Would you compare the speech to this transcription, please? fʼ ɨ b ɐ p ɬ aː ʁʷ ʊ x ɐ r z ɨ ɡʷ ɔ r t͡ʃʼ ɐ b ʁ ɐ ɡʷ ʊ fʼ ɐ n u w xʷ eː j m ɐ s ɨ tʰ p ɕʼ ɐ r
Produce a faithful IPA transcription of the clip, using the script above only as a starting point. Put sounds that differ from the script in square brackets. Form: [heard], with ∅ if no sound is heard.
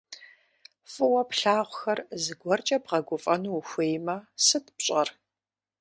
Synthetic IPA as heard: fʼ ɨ [w] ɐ p ɬ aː ʁʷ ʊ x ɐ r z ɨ ɡʷ ɔ r t͡ʃʼ ɐ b ʁ ɐ ɡʷ ʊ fʼ ɐ n u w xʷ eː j m ɐ s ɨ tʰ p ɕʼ ɐ r

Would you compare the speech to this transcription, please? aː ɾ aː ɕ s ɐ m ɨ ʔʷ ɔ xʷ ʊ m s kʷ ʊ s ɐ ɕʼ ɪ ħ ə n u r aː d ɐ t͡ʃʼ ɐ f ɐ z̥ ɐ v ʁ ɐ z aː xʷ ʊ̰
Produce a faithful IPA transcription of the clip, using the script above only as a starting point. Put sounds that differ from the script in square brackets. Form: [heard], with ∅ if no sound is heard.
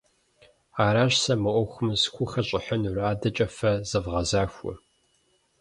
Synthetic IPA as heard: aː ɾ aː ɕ s ɐ m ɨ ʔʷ ɔ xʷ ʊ m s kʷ ʊ [x] ɐ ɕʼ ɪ ħ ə n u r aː d ɐ t͡ʃʼ ɐ f ɐ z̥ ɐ v ʁ ɐ z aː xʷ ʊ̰

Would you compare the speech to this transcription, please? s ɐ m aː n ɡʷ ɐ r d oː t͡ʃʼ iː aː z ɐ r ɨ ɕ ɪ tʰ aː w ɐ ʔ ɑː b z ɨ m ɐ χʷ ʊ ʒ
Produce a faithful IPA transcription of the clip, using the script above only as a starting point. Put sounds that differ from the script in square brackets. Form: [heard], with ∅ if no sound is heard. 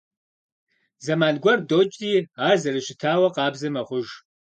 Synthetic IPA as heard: [z] ɐ m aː n ɡʷ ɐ r d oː t͡ʃʼ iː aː z ɐ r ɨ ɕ ɪ tʰ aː w ɐ [q] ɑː b z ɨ m ɐ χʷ ʊ ʒ

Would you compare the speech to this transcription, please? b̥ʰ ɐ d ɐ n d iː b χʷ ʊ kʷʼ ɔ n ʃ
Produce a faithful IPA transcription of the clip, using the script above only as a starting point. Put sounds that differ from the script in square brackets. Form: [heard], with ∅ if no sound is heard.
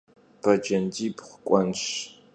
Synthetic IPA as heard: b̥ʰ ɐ [d͡ʒ] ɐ n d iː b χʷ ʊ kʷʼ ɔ n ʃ

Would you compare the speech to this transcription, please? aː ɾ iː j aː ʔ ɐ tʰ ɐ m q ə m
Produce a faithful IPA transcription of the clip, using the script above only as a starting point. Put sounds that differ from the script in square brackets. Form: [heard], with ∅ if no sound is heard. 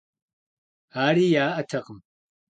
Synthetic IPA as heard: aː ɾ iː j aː ʔ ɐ tʰ ɐ [∅] q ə m

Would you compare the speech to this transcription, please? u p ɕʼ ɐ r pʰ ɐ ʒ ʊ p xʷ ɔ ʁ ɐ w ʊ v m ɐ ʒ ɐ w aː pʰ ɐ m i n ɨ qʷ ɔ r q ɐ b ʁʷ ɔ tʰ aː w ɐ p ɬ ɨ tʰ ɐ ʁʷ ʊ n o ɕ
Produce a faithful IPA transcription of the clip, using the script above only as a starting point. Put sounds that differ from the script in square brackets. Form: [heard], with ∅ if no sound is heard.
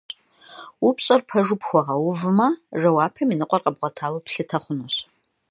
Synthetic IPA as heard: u p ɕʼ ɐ r pʰ ɐ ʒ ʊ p xʷ ɔ ʁ ɐ w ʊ v m ɐ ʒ ɐ w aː pʰ ɐ m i n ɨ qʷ ɔ r q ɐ b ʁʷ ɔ tʰ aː w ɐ p ɬ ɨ tʰ ɐ [χʷ] ʊ n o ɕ

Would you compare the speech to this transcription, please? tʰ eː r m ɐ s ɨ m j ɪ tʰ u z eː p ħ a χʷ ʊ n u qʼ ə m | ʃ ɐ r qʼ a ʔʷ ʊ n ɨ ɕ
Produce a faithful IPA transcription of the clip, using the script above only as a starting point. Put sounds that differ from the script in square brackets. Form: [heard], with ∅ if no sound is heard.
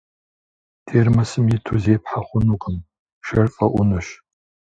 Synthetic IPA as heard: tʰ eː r m ɐ s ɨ m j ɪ tʰ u z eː p ħ a χʷ ʊ n u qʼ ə m | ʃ ɐ r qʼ [ɐ] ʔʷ ʊ n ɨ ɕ

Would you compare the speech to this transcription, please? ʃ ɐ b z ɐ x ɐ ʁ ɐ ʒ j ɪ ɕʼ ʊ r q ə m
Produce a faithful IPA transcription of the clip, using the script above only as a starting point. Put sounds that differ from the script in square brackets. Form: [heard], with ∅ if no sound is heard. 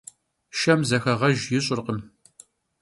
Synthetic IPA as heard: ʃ ɐ [m] z ɐ x ɐ ʁ ɐ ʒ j ɪ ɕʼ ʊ r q ə m

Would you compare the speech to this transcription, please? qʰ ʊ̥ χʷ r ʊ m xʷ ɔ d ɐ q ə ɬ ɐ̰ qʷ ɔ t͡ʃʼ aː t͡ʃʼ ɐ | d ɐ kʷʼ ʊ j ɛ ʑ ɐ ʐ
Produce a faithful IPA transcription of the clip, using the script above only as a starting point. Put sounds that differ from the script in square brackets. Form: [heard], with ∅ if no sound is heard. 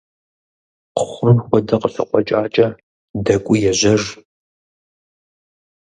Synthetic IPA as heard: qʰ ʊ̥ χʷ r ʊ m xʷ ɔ d ɐ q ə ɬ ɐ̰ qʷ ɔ t͡ʃʼ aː t͡ʃʼ ɐ | d ɐ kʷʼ ʊ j ɛ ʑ ɐ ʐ

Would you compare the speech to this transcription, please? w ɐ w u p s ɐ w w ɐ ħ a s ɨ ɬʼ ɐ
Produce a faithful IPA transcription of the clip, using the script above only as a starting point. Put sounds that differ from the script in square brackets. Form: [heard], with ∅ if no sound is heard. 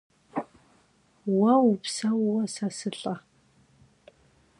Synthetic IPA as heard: w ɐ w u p s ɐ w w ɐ [s] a s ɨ ɬʼ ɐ

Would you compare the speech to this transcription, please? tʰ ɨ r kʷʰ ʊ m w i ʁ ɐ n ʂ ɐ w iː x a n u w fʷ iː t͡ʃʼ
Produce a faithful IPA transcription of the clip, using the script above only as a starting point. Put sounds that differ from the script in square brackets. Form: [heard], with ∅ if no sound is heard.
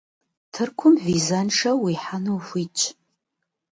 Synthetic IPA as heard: tʰ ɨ r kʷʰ ʊ m [v] i [z] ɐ n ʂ ɐ w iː [ħ] a n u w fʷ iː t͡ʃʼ

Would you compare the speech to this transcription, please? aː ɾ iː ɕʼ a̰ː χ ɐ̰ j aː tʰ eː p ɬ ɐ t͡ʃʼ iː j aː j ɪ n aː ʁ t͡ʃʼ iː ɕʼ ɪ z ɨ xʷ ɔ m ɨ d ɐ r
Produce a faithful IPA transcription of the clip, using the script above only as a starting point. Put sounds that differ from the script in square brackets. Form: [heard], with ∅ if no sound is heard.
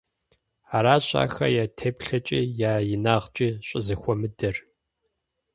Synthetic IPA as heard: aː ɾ [aː] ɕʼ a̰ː [x] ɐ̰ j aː tʰ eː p ɬ ɐ t͡ʃʼ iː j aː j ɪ n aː ʁ t͡ʃʼ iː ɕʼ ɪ z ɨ xʷ ɔ m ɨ d ɐ r

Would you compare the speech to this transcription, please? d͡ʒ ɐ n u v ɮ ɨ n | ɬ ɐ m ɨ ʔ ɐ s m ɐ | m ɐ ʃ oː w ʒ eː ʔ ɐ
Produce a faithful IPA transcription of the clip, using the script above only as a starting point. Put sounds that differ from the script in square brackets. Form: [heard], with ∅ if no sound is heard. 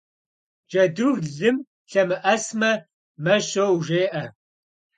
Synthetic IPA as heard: d͡ʒ ɐ [d] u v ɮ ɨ [m] | ɬ ɐ m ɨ ʔ ɐ s m ɐ | m ɐ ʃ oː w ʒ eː ʔ ɐ

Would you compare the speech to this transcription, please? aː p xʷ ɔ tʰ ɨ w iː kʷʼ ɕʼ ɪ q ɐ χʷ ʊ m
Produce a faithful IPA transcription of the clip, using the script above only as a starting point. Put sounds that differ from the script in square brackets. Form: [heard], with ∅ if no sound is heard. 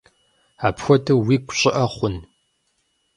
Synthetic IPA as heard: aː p xʷ ɔ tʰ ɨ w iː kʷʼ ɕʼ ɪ [ʔ] ɐ χʷ ʊ [n]

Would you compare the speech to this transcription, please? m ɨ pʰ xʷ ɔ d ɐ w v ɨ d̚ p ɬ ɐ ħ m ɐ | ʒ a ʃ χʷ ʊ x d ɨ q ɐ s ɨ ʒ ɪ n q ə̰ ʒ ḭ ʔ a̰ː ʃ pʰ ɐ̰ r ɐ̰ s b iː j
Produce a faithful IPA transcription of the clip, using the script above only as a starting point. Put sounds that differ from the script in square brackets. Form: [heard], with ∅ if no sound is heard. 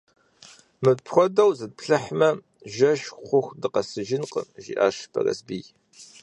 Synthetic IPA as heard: m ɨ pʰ xʷ ɔ d ɐ w [z] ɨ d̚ p ɬ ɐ ħ m ɐ | ʒ [ɐ] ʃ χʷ ʊ x d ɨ q ɐ s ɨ ʒ ɪ n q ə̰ ʒ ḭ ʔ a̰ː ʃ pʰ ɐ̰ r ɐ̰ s b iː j

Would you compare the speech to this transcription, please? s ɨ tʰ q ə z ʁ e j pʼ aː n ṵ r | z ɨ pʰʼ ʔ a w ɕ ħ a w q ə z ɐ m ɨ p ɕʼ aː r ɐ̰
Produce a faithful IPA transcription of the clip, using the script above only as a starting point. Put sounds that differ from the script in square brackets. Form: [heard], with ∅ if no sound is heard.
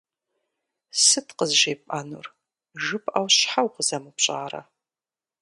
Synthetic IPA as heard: s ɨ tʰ q ə z [ʒ] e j pʼ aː n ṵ r | [ʒ] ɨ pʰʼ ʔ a w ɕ ħ a w q ə z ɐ m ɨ p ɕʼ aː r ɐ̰

